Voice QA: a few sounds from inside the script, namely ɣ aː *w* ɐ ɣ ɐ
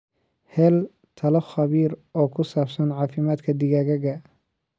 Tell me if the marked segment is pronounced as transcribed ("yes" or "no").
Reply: no